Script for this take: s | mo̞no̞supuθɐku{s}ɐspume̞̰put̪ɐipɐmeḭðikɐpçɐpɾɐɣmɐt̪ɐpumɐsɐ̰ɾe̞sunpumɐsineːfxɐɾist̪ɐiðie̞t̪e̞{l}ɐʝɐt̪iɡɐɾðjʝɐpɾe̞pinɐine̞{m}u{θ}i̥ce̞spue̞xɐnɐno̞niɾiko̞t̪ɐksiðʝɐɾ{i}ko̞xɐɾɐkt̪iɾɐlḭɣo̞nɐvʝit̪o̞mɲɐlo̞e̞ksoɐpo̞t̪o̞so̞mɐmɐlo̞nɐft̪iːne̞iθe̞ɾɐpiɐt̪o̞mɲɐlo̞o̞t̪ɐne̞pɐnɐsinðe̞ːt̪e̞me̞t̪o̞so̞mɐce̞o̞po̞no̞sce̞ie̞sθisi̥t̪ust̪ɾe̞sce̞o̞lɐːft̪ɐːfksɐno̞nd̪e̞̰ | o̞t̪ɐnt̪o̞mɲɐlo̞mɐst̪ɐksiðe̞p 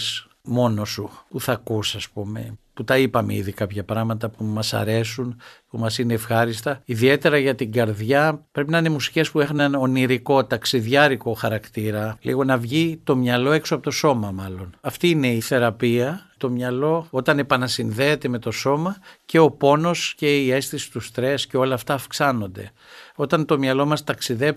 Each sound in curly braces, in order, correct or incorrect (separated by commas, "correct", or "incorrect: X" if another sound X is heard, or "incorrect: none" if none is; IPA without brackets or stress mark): correct, incorrect: ɾ, correct, incorrect: s, correct